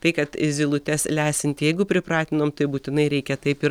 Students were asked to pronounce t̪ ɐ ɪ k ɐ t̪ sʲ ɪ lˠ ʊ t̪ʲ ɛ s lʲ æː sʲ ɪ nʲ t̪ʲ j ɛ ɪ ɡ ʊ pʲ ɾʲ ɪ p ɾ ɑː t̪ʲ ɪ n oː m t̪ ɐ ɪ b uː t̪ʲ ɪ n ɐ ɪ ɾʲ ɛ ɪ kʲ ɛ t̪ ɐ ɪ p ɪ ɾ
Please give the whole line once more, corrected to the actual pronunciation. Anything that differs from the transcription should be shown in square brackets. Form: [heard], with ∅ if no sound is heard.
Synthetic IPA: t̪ ɐ ɪ k ɐ t̪ [zʲ] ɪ lˠ ʊ t̪ʲ ɛ s lʲ æː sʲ ɪ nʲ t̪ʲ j ɛ ɪ ɡ ʊ pʲ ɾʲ ɪ p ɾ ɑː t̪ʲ ɪ n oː m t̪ ɐ ɪ b uː t̪ʲ ɪ n ɐ ɪ ɾʲ ɛ ɪ kʲ ɛ t̪ ɐ ɪ p ɪ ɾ